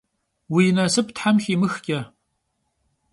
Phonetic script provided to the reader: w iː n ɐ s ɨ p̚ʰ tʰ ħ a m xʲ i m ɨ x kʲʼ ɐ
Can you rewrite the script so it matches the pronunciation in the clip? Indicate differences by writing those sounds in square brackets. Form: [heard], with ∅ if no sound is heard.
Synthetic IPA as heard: w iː n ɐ s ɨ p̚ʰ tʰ ħ a m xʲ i m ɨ x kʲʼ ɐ